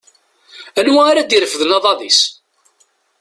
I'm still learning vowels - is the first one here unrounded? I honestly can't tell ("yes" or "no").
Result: yes